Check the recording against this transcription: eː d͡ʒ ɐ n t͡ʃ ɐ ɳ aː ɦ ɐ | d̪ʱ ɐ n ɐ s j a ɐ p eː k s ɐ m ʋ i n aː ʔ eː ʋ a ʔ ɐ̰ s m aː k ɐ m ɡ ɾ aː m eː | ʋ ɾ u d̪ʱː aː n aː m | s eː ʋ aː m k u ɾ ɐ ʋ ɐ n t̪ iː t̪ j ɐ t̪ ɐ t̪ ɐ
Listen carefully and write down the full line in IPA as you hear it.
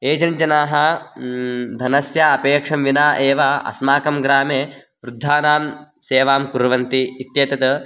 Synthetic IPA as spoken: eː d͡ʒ ɐ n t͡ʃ ɐ n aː ɦ ɐ | d̪ʱ ɐ n ɐ s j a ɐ p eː k ʂ ɐ m ʋ i n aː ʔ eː ʋ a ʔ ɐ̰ s m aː k ɐ m ɡ ɾ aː m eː | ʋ ɾ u d̪ʱː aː n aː m | s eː ʋ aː m k u ɾ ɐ ʋ ɐ n t̪ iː t̪ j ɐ t̪ ɐ t̪ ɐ